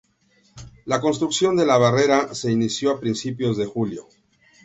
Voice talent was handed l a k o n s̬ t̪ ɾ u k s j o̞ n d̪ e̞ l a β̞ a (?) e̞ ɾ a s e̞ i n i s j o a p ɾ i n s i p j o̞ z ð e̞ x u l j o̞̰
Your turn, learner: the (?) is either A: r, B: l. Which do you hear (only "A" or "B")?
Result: A